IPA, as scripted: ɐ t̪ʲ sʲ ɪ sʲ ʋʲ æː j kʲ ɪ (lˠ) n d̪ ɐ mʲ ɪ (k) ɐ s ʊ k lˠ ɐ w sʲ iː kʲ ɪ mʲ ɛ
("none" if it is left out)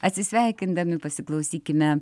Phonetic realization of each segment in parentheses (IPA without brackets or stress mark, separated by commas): none, p